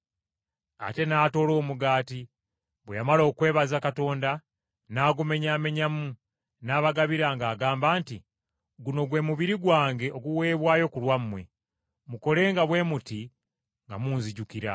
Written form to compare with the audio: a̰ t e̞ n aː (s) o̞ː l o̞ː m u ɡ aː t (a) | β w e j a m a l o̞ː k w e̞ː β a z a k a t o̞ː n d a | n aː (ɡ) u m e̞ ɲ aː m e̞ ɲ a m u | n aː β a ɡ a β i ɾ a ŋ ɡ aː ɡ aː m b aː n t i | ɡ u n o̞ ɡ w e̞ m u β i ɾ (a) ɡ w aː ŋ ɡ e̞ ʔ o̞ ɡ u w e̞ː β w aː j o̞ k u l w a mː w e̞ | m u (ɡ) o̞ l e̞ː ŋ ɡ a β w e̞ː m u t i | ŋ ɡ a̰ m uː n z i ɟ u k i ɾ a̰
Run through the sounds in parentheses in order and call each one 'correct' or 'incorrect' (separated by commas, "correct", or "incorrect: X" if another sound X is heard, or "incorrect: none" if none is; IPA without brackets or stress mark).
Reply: incorrect: t, incorrect: i, correct, incorrect: i, incorrect: k